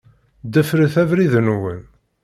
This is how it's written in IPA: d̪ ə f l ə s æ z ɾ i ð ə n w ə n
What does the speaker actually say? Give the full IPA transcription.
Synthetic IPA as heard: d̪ ə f ɾ ə θ æ v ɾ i ð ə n w ə n